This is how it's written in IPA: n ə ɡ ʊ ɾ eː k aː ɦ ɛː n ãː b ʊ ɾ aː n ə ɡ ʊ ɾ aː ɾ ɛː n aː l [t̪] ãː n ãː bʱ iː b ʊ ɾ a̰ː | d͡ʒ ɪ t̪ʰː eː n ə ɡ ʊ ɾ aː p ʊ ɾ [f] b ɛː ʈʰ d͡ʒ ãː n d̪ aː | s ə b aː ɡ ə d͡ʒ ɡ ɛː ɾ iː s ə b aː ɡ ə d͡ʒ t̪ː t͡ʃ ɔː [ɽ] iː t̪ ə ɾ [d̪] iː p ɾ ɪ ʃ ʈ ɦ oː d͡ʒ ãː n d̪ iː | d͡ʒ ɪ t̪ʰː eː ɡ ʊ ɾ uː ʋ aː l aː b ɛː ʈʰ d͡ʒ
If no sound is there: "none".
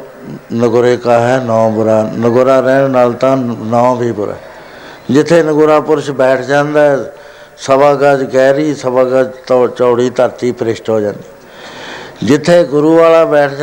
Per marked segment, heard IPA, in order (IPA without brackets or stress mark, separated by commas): t̪, ʃ, ɽ, t̪